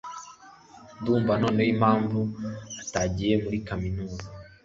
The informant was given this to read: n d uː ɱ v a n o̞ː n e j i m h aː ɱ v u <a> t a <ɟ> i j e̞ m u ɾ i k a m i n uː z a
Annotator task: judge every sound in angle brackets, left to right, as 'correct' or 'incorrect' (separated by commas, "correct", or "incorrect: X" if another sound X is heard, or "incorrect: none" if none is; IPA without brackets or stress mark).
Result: correct, correct